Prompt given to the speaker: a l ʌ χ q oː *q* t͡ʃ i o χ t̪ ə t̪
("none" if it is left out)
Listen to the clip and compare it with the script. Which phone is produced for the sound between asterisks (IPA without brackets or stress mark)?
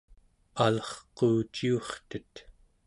none